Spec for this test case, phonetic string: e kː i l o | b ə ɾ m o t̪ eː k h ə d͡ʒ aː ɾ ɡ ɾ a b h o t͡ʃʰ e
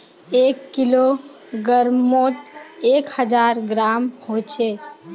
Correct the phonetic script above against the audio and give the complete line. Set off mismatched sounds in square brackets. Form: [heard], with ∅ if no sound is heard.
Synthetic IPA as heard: e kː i l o | [ɡ] ə ɾ m o t̪ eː k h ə d͡ʒ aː ɾ ɡ ɾ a [m] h o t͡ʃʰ e